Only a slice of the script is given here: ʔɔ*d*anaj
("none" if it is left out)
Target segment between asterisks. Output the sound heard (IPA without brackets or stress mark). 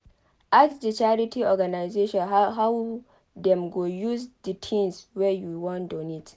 ɡ